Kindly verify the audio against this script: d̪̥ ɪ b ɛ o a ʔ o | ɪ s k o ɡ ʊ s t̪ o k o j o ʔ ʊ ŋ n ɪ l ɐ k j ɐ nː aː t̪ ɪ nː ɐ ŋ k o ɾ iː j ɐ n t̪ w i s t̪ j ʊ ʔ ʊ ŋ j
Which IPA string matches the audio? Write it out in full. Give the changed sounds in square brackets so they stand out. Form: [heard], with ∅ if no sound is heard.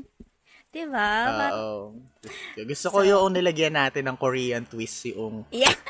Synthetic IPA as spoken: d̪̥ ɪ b [a] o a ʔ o | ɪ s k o ɡ ʊ s t̪ o k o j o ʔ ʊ ŋ n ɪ l ɐ [ɡ] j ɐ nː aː t̪ ɪ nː ɐ ŋ k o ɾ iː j ɐ n t̪ w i s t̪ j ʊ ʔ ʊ ŋ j